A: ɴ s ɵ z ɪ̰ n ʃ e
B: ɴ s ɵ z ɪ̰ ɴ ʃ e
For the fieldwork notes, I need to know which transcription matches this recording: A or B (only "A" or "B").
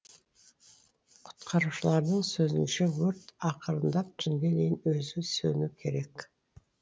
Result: A